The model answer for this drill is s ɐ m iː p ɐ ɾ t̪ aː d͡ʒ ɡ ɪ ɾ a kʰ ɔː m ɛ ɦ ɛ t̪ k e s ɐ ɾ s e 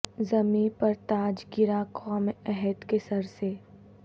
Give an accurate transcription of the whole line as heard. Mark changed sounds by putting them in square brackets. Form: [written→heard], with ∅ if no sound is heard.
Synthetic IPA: [s→z] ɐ m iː p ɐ ɾ t̪ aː d͡ʒ ɡ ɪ ɾ a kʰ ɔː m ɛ ɦ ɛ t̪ k e s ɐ ɾ s e